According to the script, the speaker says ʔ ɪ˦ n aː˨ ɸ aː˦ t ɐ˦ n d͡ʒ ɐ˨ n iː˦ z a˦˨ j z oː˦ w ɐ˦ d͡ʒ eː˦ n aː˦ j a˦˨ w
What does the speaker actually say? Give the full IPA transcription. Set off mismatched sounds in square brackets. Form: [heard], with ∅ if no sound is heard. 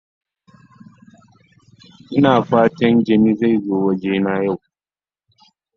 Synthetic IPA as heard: ʔ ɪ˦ n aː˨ ɸ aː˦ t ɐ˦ n d͡ʒ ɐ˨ n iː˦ z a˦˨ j z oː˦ w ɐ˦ d͡ʒ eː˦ n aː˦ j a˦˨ w

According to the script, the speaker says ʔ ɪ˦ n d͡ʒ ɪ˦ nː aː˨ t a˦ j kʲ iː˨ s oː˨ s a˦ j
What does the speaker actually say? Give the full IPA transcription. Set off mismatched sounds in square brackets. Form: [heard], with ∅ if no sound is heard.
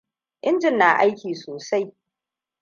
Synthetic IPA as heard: ʔ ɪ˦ n d͡ʒ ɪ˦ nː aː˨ [ʔ] a˦ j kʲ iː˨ s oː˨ s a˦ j

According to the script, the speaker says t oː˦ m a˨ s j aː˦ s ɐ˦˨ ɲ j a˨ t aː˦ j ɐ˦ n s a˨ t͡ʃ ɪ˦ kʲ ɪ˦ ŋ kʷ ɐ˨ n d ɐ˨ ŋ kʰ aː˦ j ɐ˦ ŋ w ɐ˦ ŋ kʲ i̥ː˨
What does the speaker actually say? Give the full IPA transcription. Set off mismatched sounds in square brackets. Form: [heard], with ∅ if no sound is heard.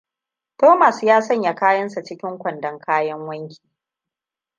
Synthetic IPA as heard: t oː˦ m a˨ s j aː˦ s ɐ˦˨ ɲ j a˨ [k] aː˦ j ɐ˦ n s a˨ t͡ʃ ɪ˦ kʲ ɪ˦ ŋ kʷ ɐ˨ n d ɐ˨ ŋ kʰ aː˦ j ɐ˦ ŋ w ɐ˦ ŋ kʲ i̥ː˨

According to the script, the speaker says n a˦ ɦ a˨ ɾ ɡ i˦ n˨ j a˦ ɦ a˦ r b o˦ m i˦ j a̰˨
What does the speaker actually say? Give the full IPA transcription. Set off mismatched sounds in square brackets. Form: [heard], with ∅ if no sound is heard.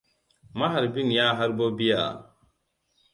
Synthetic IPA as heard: [m] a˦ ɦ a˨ ɾ [b] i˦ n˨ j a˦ ɦ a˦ [ɾ] b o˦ [b] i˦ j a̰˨

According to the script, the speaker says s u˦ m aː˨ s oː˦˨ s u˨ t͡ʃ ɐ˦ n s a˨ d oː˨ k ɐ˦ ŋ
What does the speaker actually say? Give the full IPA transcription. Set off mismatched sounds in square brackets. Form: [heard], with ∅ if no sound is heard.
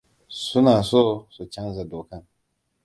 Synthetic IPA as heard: s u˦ [n] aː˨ s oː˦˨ s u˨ t͡ʃ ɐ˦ n [z] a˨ d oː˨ k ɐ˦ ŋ

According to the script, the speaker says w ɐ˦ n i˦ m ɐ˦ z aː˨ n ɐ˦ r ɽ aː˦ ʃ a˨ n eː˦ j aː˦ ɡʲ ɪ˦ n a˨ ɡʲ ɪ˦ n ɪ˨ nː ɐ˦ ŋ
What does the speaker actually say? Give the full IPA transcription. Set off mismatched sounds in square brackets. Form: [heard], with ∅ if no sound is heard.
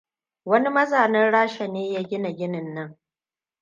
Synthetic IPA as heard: w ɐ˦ n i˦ m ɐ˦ z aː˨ n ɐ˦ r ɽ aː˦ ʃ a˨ n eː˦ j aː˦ ɡʲ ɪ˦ n a˨ ɡʲ ɪ˦ n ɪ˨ nː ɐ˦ ŋ

